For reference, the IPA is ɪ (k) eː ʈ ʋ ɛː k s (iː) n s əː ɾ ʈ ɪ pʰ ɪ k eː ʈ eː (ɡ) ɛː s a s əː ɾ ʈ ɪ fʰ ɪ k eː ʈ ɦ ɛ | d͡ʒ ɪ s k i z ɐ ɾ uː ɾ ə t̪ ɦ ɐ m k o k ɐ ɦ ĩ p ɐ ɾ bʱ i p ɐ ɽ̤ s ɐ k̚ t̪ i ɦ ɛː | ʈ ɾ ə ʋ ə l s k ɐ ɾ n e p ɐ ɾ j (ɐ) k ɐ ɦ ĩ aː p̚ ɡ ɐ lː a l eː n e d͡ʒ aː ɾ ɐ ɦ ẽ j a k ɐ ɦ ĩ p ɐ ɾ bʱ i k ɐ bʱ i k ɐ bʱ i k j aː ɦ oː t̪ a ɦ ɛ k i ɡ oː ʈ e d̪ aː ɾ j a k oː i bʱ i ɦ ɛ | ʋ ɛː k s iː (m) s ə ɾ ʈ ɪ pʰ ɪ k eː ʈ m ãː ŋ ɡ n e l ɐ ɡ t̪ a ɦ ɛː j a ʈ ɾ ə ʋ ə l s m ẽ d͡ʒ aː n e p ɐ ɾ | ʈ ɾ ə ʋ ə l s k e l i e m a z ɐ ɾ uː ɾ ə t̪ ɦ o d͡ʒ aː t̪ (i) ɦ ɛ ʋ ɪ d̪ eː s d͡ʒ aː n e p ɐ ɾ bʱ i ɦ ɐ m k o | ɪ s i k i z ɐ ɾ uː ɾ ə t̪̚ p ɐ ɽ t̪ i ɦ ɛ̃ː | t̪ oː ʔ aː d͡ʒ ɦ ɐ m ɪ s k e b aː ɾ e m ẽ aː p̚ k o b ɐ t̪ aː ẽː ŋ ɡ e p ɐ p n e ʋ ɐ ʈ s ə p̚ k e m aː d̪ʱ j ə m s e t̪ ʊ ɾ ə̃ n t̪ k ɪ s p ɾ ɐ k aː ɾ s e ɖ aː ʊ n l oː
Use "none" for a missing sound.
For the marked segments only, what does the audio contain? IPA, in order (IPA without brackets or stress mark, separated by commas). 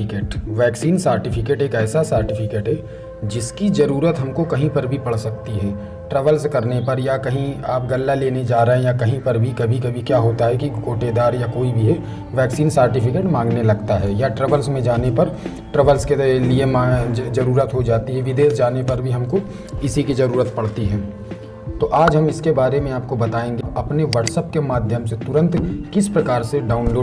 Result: k, iː, k, a, n, i